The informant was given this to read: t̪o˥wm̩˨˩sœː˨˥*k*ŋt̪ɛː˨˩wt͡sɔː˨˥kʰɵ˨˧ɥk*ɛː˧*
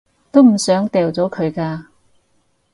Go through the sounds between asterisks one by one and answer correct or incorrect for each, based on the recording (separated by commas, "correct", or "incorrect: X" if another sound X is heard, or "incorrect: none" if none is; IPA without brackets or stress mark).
incorrect: none, incorrect: aː˧